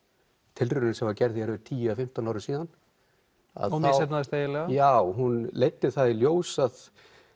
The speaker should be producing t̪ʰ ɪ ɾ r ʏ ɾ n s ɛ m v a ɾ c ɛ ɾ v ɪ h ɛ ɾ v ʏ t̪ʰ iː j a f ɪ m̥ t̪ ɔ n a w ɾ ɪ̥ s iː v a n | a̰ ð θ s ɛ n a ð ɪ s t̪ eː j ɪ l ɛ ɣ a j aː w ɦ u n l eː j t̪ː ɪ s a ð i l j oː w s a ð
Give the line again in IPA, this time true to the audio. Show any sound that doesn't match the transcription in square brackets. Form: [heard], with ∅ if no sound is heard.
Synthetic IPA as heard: t̪ʰ ɪ [l] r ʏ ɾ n s ɛ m v a ɾ c ɛ ɾ [ð] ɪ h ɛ ɾ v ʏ t̪ʰ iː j a f ɪ m̥ t̪ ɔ n a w ɾ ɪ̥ s iː [ð] a n | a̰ ð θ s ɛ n a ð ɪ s t̪ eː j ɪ l ɛ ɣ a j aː w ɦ u n l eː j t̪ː ɪ [θ] a ð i l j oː w s a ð